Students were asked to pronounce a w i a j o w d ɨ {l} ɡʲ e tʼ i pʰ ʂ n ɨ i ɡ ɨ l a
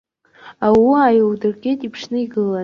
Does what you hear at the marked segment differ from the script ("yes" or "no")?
yes